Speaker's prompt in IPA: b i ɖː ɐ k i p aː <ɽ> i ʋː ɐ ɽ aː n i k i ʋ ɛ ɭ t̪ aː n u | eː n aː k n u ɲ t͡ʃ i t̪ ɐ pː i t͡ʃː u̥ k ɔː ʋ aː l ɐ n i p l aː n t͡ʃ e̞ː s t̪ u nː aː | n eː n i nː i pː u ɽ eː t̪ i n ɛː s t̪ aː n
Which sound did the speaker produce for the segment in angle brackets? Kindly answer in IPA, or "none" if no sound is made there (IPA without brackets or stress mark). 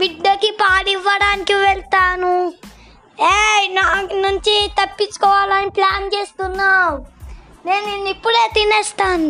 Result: ɽ